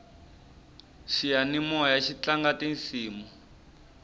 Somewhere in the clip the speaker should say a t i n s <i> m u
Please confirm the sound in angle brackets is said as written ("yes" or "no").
no